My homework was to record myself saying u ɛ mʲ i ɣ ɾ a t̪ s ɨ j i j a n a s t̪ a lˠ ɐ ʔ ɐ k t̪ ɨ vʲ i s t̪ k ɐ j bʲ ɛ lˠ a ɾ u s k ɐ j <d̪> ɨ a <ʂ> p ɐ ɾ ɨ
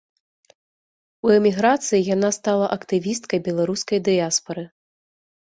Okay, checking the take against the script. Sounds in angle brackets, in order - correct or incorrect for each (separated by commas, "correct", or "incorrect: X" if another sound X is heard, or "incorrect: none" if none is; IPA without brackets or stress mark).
correct, incorrect: s